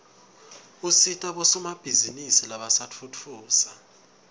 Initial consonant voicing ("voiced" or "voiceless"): voiceless